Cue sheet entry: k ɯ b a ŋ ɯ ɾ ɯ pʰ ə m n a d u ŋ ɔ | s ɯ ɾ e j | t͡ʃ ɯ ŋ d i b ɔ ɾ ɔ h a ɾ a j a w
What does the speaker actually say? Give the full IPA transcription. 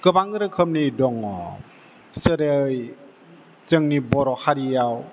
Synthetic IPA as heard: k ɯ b a ŋ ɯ ɾ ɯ kʰ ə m n i d ɔ ŋ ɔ | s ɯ ɾ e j | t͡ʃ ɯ ŋ n i b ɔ ɾ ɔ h a ɾ i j a w